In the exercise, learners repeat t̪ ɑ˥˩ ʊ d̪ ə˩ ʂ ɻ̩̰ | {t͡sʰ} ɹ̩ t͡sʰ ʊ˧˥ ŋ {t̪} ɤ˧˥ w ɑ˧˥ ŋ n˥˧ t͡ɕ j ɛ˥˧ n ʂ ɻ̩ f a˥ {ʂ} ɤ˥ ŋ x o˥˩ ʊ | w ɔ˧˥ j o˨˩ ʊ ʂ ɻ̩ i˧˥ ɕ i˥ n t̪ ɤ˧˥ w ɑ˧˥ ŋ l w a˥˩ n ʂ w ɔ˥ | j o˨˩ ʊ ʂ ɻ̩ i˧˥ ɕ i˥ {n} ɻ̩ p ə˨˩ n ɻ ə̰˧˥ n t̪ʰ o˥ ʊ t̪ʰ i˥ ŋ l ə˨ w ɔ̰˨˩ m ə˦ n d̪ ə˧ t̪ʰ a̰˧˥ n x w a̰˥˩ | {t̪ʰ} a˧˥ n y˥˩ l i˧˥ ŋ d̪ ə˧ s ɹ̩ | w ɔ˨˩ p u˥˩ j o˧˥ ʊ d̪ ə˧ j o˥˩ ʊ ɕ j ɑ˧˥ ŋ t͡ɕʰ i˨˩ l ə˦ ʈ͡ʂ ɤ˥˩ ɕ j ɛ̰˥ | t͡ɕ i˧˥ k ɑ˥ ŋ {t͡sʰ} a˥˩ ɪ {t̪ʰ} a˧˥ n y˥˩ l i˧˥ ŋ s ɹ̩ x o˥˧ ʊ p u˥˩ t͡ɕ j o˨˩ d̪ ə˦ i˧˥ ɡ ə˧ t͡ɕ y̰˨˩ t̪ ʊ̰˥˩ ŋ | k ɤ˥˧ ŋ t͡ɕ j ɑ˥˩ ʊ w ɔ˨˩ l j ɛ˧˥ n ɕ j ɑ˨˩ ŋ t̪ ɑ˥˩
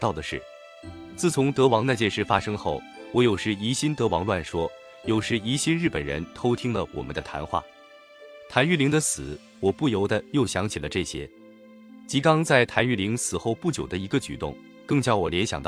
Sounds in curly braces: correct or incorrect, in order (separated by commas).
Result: incorrect, correct, correct, correct, correct, incorrect, correct